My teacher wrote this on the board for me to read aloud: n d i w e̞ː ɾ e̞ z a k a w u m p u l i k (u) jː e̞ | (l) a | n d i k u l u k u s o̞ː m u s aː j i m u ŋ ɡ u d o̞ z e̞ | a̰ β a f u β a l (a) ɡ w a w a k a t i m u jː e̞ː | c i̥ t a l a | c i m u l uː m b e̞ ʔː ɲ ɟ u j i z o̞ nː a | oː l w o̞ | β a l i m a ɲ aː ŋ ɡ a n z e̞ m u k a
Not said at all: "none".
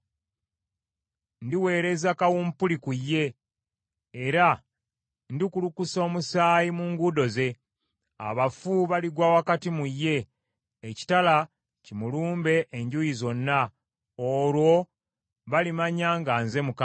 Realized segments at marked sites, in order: u, ɾ, i

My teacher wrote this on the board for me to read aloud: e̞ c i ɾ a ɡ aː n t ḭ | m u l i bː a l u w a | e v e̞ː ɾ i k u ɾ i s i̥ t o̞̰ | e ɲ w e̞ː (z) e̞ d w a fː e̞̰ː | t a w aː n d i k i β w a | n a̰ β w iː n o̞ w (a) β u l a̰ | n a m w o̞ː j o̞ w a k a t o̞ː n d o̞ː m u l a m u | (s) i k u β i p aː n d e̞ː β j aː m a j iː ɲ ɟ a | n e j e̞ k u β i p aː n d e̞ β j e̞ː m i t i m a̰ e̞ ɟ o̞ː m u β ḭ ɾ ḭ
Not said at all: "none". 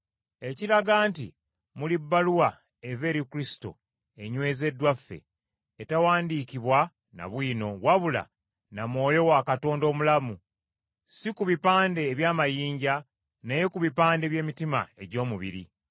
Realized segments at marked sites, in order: z, a, s

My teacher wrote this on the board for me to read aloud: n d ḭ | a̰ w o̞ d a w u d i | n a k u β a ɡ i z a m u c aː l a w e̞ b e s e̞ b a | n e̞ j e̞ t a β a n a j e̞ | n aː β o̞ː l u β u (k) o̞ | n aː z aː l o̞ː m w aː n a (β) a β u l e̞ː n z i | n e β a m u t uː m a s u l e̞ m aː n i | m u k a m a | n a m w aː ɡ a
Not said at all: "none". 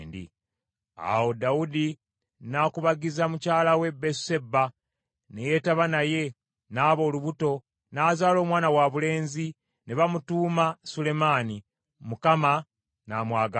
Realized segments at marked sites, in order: t, w

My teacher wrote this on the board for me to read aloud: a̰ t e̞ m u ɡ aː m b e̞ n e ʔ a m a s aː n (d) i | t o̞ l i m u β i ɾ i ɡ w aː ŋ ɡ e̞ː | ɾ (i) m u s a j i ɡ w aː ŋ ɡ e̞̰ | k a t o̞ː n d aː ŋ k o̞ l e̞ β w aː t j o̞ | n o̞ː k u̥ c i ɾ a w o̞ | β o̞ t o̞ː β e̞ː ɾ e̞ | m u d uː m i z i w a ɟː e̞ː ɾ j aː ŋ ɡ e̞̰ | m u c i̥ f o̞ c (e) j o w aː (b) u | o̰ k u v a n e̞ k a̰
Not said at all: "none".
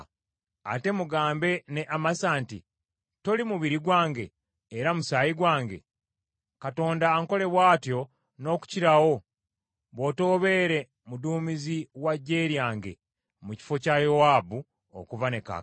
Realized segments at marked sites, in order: t, a, a, b

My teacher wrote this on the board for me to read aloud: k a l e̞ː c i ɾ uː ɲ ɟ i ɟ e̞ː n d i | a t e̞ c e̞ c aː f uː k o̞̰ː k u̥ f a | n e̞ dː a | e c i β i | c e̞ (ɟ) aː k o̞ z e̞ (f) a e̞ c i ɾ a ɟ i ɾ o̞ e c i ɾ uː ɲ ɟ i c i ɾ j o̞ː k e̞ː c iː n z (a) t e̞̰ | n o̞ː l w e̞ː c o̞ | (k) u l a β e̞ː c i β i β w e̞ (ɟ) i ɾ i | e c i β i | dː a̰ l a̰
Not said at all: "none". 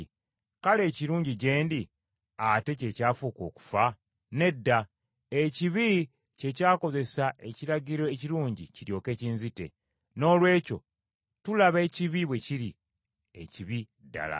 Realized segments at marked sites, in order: c, s, i, t, c

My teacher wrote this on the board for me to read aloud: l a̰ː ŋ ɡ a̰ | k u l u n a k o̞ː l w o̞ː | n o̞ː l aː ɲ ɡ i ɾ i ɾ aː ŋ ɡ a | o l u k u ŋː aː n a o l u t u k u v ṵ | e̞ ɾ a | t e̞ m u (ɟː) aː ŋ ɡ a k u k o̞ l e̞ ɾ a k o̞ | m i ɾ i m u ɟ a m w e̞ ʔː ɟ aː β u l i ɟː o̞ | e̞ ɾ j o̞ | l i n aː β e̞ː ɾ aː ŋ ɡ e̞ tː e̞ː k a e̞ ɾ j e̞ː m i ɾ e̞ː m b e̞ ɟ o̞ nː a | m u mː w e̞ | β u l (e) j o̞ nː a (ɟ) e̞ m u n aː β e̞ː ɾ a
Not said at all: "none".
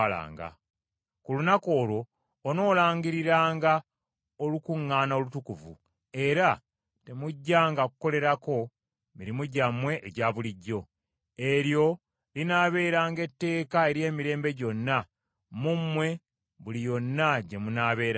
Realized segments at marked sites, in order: ɟː, i, ɟ

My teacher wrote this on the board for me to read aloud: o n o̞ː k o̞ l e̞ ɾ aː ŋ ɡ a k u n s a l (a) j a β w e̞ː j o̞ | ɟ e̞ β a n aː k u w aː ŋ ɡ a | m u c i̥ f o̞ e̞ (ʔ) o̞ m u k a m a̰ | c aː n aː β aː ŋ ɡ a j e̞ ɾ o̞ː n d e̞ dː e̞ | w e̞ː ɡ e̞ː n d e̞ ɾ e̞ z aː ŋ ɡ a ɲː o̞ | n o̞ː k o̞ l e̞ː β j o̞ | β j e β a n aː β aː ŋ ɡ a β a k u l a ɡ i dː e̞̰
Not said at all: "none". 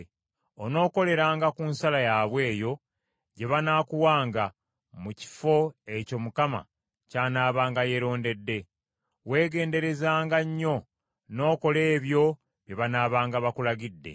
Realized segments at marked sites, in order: a, c

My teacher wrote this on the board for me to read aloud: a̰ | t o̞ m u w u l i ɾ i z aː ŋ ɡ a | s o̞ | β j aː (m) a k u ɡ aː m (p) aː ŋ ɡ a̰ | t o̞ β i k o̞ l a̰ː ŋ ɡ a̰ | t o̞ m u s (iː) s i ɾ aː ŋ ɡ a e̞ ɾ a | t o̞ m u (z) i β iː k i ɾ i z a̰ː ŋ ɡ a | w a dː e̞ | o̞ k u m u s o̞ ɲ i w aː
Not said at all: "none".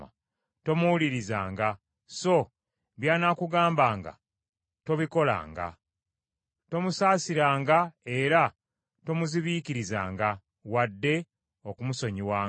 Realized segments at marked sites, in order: n, b, aː, z

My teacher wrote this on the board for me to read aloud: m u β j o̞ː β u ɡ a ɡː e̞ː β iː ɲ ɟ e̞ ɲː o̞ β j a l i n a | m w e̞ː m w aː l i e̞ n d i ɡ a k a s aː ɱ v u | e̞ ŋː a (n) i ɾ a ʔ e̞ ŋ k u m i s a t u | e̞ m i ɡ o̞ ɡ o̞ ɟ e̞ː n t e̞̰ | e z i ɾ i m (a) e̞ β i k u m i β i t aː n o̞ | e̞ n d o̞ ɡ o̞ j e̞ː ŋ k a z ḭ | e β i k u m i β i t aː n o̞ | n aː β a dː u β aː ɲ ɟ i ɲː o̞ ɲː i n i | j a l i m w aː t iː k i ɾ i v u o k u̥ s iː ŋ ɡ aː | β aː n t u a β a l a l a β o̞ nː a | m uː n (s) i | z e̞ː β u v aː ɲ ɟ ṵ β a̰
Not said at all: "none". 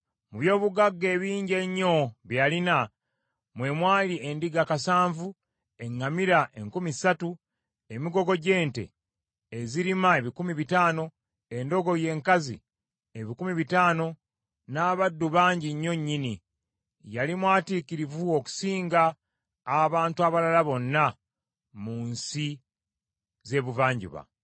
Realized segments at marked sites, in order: m, a, s

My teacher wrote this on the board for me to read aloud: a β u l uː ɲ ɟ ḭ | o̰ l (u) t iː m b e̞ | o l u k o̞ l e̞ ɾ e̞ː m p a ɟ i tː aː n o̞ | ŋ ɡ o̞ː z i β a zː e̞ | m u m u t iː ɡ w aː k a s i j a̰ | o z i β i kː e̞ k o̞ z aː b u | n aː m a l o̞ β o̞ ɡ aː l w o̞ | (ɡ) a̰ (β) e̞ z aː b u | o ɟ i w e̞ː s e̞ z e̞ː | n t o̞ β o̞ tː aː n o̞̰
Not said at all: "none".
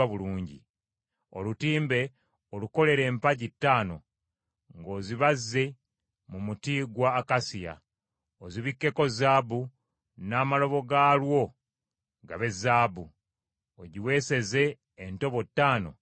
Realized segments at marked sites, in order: u, ɡ, β

